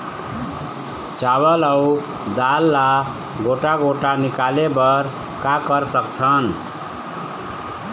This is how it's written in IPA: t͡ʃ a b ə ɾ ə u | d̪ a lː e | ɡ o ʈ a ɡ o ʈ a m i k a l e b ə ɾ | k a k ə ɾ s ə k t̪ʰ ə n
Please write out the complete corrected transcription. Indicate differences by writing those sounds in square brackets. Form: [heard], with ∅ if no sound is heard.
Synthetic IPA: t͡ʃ a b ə [l] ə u | d̪ a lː [a] | ɡ o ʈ a ɡ o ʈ a [n] i k a l e b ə ɾ | k a k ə ɾ s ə k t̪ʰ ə n